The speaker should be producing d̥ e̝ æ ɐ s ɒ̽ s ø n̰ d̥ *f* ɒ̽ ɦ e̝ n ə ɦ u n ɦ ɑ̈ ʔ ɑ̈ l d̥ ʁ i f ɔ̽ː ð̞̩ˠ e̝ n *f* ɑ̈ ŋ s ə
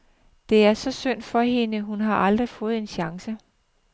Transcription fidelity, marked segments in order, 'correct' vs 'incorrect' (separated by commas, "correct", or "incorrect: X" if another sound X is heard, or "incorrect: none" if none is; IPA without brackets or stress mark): correct, incorrect: ɕ